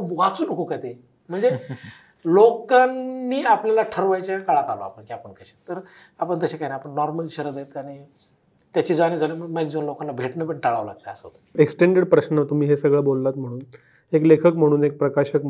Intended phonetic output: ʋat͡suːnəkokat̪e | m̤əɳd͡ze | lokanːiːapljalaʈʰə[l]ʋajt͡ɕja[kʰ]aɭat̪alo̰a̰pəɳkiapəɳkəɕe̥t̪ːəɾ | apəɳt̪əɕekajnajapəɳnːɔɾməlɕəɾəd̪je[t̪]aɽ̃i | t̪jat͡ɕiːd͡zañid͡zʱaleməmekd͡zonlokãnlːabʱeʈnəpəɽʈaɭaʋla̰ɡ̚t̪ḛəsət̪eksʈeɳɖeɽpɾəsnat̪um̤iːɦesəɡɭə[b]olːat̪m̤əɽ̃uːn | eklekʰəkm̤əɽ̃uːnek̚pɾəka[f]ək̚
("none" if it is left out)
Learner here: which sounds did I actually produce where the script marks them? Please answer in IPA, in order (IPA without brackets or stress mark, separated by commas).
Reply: ɾ, k, t̪, b, ɕ